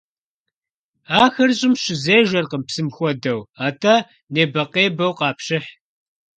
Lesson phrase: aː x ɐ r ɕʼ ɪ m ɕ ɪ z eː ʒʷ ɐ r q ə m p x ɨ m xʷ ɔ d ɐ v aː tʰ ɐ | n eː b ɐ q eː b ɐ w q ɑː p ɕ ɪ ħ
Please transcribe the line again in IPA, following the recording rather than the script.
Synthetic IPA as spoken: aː x ɐ r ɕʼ ɪ m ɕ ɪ z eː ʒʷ ɐ r q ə m p s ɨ m xʷ ɔ d ɐ w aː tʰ ɐ | n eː b ɐ q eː b ɐ w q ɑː p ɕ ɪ ħ

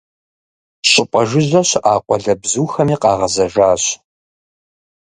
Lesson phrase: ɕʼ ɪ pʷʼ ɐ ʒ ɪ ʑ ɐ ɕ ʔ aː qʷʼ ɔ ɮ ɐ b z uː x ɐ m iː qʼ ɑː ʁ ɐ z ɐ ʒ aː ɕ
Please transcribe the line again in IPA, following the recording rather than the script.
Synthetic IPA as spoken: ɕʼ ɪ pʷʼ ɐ ʒ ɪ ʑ ɐ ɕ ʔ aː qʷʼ ɔ ɮ ɐ b z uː x ɐ m iː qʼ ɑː ʁ ɐ z ɐ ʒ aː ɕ

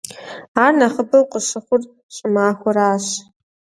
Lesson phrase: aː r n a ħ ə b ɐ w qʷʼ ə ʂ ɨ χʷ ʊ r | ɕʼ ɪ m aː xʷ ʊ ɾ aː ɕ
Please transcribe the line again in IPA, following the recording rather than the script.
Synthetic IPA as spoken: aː r n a χ ə b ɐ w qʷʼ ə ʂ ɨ χʷ ʊ r | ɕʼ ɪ m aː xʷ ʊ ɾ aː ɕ

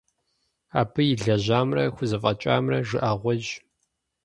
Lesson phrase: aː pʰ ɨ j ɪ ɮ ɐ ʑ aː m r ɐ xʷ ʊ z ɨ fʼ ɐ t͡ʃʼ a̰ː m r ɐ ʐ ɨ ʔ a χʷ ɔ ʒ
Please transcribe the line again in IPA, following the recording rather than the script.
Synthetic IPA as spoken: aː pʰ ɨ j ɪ ɮ ɐ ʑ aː m r ɐ xʷ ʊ z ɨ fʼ ɐ t͡ʃʼ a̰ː m r ɐ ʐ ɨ ʔ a ʁʷ ɔ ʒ

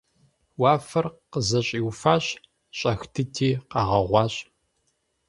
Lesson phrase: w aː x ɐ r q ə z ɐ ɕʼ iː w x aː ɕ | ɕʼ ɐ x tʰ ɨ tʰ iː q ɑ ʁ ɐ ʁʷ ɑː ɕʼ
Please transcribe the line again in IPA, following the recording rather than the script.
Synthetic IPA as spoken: w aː f ɐ r q ə z ɐ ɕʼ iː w f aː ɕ | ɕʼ ɐ x tʰ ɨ tʰ iː q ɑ ʁ ɐ ʁʷ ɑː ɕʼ

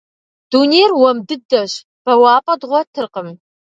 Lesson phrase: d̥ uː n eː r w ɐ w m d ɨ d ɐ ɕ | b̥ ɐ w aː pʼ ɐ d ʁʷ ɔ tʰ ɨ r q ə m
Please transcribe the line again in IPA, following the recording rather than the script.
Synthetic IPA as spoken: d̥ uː n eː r w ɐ m d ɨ d ɐ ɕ | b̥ ɐ w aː pʼ ɐ d ʁʷ ɔ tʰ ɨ r q ə m

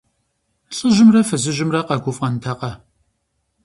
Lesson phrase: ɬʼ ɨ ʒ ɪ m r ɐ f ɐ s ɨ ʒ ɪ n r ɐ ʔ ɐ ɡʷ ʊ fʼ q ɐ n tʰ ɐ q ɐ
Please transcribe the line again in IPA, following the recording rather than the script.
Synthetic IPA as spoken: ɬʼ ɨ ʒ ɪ m r ɐ f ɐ z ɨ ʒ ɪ m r ɐ q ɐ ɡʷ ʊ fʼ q ɐ n tʰ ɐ q ɐ

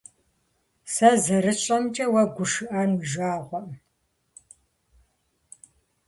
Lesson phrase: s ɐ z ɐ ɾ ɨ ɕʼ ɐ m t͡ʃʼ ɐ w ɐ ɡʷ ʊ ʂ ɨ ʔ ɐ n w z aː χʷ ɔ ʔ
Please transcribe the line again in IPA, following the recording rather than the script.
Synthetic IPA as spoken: s ɐ z ɐ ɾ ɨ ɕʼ ɐ m t͡ʃʼ ɐ w ɐ ɡʷ ʊ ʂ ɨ ʔ ɐ n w ʒ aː ʁʷ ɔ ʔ

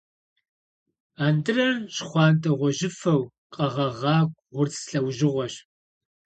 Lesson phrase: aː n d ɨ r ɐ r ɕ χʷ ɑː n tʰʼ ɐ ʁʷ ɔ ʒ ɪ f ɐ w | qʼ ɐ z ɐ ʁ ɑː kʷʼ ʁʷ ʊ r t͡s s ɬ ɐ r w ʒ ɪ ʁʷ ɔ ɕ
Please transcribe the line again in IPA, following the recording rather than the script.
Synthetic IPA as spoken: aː n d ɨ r ɐ r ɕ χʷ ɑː n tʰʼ ɐ ʁʷ ɔ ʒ ɪ f ɐ w | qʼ ɐ ʁ ɐ ʁ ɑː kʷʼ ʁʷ ʊ r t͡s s ɬ ɐ w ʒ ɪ ʁʷ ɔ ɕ

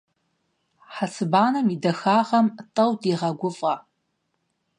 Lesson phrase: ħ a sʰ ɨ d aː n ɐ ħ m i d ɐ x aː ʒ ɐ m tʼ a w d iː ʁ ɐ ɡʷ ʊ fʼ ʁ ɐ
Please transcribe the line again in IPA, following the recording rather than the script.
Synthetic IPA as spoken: ħ a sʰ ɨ b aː n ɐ m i d ɐ x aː ʁ ɐ m tʼ ɐ w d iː ʁ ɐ ɡʷ ʊ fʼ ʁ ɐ

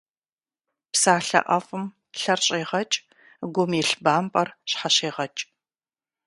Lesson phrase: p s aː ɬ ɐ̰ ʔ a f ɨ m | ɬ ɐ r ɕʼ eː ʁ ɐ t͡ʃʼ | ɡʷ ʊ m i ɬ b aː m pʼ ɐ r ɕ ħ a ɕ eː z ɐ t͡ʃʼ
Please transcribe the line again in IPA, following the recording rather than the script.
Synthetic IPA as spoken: p s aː ɬ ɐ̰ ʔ ɐ f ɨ m | ɬ ɐ r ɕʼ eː ʁ ɐ t͡ʃʼ | ɡʷ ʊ m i ɬ b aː m pʼ ɐ r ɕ ħ a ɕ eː ʁ ɐ t͡ʃʼ

